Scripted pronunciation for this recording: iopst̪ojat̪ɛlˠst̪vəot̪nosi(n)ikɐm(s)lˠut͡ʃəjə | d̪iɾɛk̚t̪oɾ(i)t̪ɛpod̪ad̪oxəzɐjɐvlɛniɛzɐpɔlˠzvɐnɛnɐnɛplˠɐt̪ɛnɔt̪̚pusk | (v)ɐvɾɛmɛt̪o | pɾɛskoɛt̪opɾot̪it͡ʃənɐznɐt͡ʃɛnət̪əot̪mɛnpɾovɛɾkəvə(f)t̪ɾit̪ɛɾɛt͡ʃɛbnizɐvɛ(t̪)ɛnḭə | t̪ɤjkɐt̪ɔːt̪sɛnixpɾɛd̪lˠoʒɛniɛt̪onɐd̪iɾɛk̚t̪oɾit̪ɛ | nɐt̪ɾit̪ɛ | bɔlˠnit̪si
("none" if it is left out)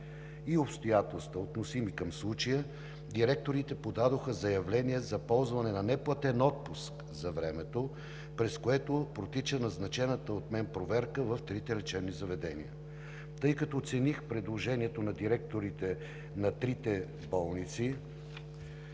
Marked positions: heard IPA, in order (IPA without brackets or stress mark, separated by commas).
m, s, i, z, f, d̪